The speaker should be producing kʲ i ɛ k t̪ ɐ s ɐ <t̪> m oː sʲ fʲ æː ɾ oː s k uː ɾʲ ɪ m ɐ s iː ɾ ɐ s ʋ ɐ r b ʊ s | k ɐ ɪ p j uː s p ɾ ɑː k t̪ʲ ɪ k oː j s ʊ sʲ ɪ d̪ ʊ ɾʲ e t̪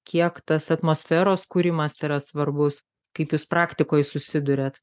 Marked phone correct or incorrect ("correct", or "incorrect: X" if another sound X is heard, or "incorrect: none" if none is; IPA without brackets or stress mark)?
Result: correct